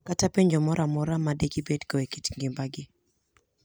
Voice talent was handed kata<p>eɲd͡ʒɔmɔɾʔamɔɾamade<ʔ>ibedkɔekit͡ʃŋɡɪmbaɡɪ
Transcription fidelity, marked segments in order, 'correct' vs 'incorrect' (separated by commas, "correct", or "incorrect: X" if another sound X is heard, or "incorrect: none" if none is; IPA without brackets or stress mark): correct, incorrect: k